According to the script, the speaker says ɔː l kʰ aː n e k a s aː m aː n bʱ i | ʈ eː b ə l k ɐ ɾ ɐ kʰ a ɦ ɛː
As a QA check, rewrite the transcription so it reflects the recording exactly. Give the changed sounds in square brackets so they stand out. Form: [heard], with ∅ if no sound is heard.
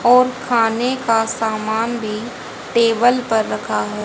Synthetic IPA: ɔː [ɾ] kʰ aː n e k a s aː m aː n bʱ i | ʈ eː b ə l [p] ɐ [ɾː] ɐ kʰ a ɦ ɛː